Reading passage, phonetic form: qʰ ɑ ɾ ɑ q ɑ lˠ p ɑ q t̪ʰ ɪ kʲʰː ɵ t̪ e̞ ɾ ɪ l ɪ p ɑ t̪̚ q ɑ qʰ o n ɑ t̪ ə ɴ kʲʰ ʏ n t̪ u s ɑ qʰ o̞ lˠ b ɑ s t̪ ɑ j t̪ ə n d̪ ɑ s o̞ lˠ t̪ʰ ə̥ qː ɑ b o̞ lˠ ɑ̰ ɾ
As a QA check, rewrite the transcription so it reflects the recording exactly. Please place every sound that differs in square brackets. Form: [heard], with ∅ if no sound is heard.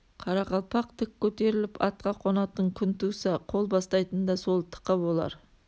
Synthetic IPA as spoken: qʰ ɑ ɾ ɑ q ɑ lˠ p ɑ q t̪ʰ ɪ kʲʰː ɵ t̪ e̞ ɾ ɪ l ɪ p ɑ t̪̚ q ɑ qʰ o n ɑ t̪ ə ɴ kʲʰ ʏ n t̪ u s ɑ qʰ o̞ lˠ b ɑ s t̪ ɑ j t̪ ə n d̪ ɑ s o̞ lˠ t̪ʰ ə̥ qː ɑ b o̞ lˠ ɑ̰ ɾ